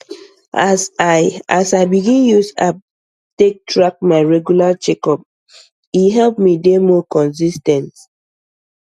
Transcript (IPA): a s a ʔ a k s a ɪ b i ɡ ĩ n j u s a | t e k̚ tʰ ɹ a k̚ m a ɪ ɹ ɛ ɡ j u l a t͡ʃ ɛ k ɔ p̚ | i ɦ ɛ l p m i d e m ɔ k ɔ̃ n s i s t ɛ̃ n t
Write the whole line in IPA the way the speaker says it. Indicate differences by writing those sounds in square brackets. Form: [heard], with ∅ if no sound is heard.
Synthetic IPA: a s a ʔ a [∅] s a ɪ b i ɡ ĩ n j u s a | t e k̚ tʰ ɹ a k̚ m a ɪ ɹ ɛ ɡ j u l a t͡ʃ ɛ k ɔ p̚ | i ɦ ɛ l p m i d e m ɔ k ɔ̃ n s i s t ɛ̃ n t